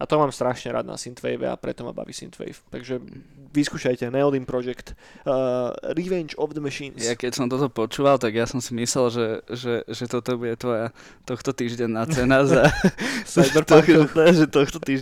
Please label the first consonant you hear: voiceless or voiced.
voiceless